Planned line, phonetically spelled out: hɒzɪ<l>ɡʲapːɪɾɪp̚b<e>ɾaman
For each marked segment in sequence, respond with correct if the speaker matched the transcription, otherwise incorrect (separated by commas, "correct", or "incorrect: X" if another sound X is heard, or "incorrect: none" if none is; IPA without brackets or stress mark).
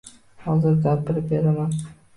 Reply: incorrect: ɾ, correct